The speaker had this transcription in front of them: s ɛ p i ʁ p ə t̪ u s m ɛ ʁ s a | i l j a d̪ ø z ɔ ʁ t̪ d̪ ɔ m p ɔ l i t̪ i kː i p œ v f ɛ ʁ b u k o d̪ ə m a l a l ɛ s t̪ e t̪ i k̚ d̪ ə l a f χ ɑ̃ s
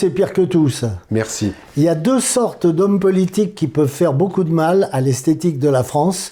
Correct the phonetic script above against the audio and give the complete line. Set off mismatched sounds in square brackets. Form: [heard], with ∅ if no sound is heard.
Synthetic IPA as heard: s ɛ p i ʁ [k] ə t̪ u s m ɛ ʁ s [i] | i l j a d̪ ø [s] ɔ ʁ t̪ d̪ ɔ m p ɔ l i t̪ i kː i p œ v f ɛ ʁ b [o] k [u] d̪ ə m a l a l ɛ s t̪ e t̪ i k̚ d̪ ə l a f χ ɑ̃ s